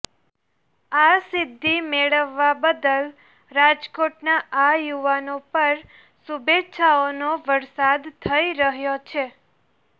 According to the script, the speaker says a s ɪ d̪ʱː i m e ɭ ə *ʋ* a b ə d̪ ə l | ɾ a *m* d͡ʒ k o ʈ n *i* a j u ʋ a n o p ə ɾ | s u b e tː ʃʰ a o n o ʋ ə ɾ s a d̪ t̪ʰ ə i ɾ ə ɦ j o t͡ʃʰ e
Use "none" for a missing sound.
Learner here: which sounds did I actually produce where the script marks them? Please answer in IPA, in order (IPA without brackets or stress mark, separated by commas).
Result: ʋː, none, a